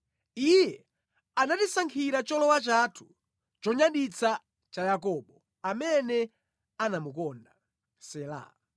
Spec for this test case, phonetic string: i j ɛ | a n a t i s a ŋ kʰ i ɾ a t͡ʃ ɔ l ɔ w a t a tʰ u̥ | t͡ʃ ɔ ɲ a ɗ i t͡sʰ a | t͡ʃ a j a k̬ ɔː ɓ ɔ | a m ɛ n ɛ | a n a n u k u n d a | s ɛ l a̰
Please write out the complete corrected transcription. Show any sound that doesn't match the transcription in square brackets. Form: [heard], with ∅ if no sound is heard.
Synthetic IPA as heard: i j ɛ | a n a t i s a ŋ kʰ i ɾ a t͡ʃ ɔ l ɔ w a [t͡ʃ] a tʰ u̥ | t͡ʃ ɔ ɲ a ɗ i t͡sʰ a | t͡ʃ a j a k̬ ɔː ɓ ɔ | a m ɛ n ɛ | a n a [m] u k [ɔ] n d a | s ɛ l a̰